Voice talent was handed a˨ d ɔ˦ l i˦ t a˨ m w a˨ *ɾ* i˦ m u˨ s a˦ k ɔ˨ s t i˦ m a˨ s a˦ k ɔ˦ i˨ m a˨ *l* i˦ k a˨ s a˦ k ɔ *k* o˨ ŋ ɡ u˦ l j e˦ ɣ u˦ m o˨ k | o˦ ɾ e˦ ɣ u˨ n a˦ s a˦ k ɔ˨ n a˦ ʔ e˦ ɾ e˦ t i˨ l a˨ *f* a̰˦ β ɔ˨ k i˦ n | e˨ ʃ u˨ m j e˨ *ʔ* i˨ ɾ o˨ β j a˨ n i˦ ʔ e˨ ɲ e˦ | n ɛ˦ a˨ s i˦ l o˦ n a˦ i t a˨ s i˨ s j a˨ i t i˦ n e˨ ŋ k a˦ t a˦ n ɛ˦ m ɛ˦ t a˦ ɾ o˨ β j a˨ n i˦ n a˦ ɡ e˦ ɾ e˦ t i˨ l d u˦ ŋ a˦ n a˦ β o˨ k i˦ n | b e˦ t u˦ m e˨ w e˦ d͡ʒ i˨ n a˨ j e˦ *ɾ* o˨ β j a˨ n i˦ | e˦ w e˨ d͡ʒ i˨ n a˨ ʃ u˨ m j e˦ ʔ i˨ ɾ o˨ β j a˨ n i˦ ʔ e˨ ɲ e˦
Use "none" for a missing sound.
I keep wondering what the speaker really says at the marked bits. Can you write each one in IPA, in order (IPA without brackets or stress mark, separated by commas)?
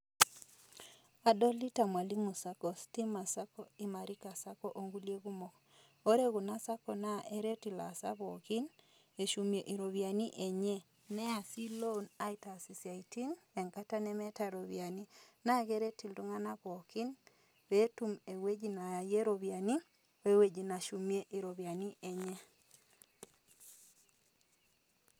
l, ɾ, ʔ, s, ʔ, ɾ